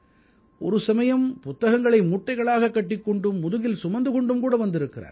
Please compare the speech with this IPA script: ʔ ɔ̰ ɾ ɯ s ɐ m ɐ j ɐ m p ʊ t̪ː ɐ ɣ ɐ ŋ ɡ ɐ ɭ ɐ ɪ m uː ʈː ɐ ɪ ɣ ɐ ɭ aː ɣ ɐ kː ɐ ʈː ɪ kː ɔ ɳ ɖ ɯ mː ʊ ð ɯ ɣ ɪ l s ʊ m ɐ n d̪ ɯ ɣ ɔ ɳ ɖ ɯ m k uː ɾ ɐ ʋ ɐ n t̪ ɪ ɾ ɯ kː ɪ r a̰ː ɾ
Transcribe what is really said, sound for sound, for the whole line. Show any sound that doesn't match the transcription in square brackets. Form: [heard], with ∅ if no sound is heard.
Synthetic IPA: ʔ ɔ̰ ɾ ɯ s ɐ m ɐ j ɐ m p ʊ t̪ː ɐ ɣ ɐ ŋ ɡ ɐ ɭ ɐ ɪ m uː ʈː ɐ ɪ ɣ ɐ ɭ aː ɣ ɐ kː ɐ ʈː ɪ kː ɔ ɳ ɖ ɯ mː ʊ ð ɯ ɣ ɪ l s ʊ m ɐ n d̪ ɯ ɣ ɔ ɳ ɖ ɯ m k uː [ɽ] ɐ ʋ ɐ n [d̪] ɪ ɾ ɯ kː ɪ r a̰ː ɾ